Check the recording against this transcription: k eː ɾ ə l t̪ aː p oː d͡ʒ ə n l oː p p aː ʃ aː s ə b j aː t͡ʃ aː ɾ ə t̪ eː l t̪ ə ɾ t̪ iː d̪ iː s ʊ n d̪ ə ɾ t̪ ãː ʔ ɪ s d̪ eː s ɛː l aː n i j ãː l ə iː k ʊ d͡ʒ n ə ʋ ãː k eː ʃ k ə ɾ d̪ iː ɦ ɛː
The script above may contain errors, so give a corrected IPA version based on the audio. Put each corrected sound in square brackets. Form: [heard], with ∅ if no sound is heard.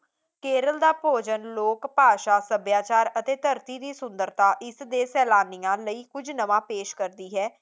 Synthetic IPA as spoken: k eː ɾ ə l [d̪] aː p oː d͡ʒ ə n l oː [k] p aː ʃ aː s ə b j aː t͡ʃ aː ɾ ə t̪ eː [∅] t̪ ə ɾ t̪ iː d̪ iː s ʊ n d̪ ə ɾ t̪ [aː] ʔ ɪ s d̪ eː s ɛː l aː n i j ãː l ə iː k ʊ d͡ʒ n ə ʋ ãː [p] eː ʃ k ə ɾ d̪ iː ɦ ɛː